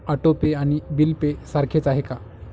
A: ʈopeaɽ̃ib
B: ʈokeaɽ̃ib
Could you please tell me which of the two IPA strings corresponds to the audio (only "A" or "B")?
A